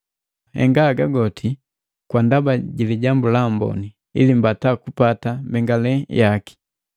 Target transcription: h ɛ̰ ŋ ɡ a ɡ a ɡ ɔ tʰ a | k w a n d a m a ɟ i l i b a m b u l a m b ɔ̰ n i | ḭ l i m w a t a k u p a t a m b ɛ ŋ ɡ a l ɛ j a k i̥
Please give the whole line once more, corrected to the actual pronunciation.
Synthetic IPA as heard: h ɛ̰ ŋ ɡ a ɡ a ɡ ɔ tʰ i | k w a n d a b a ɟ i l i ɟ a m b u l a m b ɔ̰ n i | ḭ l i m b a t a k u p a t a m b ɛ ŋ ɡ a l ɛ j a k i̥